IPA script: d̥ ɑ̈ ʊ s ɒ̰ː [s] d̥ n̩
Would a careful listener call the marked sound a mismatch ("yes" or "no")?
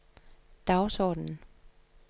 yes